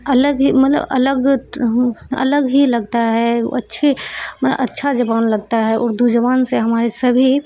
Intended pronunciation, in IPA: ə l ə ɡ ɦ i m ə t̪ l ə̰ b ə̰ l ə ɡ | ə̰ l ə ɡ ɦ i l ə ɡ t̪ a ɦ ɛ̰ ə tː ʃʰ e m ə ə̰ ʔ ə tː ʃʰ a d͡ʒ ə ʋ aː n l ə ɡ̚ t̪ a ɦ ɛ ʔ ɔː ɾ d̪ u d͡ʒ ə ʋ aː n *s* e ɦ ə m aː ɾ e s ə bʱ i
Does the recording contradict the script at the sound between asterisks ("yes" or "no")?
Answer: no